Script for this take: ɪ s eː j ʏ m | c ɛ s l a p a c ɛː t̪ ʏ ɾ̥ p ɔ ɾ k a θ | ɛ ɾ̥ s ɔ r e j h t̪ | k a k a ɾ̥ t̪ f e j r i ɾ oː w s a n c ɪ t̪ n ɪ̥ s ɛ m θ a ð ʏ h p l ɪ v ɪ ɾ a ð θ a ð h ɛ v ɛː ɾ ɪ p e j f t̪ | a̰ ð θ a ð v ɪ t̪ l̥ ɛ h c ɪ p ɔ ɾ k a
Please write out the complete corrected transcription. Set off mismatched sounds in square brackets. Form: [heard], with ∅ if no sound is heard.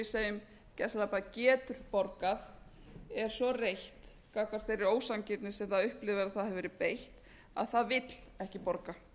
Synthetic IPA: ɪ s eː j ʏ m | c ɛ s l a p a c ɛː t̪ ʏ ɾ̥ p ɔ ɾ k a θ | ɛ ɾ̥ s ɔ r e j h t̪ | k a k a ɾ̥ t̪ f e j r [ɪ] ɾ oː w s a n c ɪ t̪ n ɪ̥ s ɛ m θ a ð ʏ h p l ɪ v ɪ ɾ a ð θ a ð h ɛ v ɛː ɾ ɪ p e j [h] t̪ | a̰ ð θ a ð v ɪ t̪ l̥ ɛ h c ɪ p ɔ ɾ k a